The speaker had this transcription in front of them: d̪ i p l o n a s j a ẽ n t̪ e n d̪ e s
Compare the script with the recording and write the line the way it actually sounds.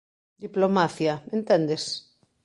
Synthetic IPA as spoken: d̪ i p l o m a θ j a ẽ n t̪ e n d̪ e s